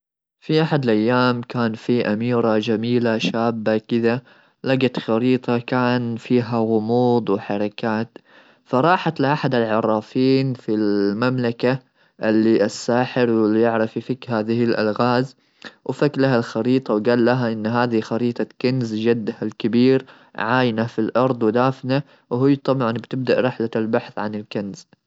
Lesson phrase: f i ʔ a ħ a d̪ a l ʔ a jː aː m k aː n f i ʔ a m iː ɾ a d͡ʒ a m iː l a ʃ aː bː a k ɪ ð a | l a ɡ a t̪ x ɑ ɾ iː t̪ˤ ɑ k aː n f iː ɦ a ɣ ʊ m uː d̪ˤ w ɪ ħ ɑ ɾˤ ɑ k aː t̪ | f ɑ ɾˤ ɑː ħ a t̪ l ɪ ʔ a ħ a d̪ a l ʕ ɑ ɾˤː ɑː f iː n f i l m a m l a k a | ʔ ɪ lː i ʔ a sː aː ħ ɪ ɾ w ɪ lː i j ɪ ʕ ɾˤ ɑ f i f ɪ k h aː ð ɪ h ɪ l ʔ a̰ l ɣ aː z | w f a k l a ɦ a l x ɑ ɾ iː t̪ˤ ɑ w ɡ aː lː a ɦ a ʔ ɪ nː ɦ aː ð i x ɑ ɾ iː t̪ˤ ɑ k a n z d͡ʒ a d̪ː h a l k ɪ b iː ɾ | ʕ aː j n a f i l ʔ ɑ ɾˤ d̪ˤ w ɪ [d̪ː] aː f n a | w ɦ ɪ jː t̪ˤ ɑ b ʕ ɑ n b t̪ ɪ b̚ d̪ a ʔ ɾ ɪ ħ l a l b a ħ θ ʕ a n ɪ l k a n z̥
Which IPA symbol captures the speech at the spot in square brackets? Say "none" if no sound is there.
d̪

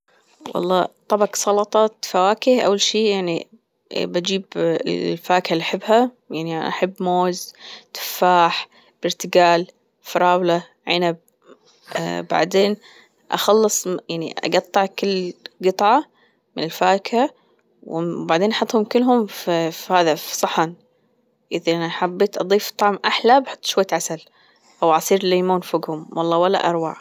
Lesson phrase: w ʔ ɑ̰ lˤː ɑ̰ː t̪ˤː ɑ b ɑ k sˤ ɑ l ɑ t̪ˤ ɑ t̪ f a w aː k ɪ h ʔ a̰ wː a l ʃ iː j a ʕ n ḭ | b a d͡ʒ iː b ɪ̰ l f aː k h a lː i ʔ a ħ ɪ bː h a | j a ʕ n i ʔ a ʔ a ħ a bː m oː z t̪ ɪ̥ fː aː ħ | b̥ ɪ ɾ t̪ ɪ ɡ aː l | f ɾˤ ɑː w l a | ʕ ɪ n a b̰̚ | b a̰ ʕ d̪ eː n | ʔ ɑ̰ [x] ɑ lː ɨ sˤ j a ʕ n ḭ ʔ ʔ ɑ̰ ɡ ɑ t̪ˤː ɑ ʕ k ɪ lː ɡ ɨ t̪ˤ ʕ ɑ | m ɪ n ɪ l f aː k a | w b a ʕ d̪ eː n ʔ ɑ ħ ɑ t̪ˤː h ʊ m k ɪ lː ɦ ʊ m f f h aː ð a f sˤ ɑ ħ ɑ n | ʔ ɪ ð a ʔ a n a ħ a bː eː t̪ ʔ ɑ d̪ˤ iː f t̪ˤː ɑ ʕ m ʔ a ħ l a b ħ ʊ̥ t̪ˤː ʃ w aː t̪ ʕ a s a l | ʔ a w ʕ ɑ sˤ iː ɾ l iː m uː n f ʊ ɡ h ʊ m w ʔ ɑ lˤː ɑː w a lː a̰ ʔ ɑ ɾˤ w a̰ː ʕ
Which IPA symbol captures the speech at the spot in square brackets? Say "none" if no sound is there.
x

